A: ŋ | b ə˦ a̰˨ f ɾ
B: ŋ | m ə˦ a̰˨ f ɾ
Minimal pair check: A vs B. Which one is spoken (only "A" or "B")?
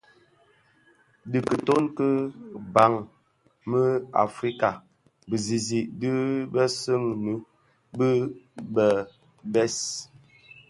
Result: B